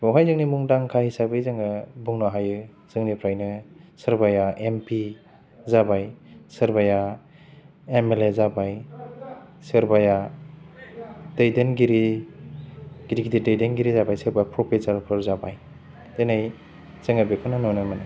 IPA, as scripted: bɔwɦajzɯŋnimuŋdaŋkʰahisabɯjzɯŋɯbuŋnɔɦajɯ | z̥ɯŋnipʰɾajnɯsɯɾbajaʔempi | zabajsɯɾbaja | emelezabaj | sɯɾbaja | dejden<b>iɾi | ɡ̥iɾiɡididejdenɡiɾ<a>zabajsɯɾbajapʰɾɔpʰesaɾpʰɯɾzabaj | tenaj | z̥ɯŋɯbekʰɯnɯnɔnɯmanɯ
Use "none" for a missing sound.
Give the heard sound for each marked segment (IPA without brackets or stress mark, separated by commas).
ɡ, i